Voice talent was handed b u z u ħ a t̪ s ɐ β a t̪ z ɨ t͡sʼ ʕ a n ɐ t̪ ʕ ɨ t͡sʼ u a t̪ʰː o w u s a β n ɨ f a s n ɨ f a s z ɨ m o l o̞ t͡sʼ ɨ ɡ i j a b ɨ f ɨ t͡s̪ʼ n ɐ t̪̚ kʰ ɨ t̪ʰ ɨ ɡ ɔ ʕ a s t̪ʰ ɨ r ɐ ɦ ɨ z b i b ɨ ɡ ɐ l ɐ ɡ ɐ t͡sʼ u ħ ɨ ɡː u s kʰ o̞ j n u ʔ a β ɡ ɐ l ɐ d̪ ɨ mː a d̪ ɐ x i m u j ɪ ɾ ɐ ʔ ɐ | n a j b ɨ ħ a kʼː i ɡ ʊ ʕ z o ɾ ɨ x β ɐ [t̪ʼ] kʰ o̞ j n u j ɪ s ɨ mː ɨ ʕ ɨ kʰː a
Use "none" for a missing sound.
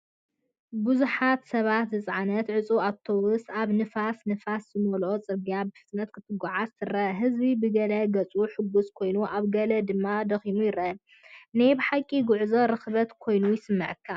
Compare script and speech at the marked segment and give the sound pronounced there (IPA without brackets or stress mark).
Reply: t̪